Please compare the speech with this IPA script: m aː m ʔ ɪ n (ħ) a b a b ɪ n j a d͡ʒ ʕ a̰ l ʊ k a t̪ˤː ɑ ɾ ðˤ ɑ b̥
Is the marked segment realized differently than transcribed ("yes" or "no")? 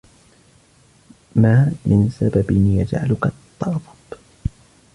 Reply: yes